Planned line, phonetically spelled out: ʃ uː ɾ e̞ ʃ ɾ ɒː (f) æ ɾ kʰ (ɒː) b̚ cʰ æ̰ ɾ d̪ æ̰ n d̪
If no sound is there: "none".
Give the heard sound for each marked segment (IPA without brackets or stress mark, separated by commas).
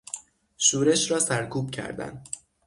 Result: s, uː